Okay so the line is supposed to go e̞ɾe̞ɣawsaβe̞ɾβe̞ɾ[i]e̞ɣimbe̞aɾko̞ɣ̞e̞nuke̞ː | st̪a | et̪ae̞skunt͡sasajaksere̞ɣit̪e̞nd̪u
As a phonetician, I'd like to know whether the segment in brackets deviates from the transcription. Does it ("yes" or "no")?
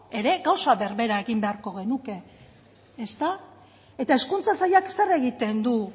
yes